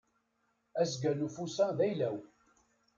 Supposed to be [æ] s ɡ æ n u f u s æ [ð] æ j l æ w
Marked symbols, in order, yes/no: yes, yes

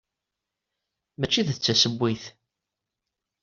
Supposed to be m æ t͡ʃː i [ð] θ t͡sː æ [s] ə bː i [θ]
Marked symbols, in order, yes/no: yes, yes, yes

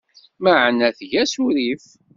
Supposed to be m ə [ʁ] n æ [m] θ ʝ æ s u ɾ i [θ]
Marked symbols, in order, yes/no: no, no, no

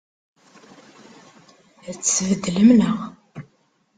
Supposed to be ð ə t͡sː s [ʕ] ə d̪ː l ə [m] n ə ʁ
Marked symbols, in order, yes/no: no, yes

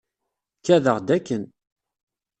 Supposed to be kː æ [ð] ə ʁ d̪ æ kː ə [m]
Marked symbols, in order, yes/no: yes, no

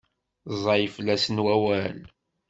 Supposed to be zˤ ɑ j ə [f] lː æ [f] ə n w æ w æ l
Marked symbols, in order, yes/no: yes, no

